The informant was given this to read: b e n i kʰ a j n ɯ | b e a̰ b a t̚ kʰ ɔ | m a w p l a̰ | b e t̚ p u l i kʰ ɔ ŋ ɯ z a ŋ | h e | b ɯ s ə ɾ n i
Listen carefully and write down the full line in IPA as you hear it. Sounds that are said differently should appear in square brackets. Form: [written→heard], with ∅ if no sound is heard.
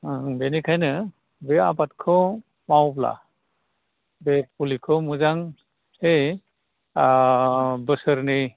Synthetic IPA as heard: b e n i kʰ a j n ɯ | b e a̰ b a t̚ kʰ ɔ | m a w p l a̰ | b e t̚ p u l i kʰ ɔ [ŋ→m] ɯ z a ŋ | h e | b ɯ s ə ɾ n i